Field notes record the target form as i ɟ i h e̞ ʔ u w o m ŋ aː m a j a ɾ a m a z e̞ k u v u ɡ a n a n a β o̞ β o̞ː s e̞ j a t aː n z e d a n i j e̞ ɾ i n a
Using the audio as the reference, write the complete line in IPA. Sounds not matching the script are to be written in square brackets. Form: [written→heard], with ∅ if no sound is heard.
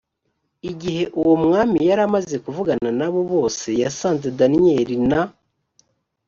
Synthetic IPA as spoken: i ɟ i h e̞ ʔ u w o m ŋ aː m [a→i] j a ɾ a m a z e̞ k u v u ɡ a n a n a β o̞ β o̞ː s e̞ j a [t→s] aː n z e d a n i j e̞ ɾ i n a